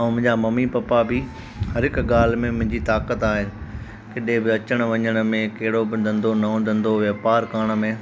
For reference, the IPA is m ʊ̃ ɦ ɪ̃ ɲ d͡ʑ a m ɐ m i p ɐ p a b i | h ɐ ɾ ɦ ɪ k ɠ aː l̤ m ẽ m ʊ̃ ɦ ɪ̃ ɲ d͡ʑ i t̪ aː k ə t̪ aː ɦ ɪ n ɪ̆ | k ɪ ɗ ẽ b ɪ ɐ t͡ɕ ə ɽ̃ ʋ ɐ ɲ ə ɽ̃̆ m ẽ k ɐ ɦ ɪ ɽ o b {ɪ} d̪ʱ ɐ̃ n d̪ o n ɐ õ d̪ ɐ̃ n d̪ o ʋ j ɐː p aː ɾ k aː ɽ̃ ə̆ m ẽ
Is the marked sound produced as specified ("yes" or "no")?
yes